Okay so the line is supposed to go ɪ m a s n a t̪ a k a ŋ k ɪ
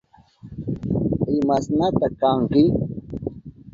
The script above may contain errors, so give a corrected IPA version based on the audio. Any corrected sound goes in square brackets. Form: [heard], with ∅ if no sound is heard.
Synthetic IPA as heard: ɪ m a s n a t̪ a k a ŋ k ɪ